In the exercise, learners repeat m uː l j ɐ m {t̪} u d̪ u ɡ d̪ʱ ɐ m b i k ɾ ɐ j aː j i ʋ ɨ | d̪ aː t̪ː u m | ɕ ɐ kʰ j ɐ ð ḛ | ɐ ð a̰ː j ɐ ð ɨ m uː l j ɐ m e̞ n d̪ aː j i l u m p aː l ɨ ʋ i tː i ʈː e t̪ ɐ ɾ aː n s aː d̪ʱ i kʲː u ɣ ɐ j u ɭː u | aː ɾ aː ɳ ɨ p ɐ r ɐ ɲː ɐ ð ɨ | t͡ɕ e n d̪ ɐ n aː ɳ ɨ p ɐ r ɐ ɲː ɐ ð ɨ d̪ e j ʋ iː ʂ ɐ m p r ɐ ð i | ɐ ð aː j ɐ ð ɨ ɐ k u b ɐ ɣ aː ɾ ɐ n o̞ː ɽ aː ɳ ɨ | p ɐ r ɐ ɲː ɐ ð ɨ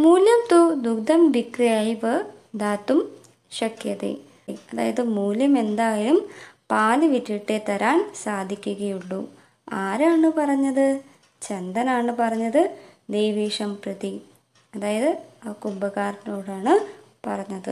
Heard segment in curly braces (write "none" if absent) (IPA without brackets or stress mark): t̪